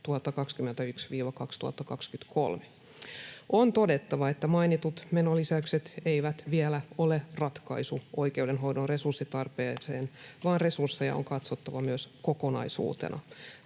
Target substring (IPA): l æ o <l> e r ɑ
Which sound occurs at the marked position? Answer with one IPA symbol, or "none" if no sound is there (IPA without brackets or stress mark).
l